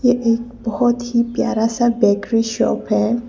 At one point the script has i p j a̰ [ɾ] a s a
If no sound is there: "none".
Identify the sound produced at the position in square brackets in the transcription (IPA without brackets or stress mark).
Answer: ɾ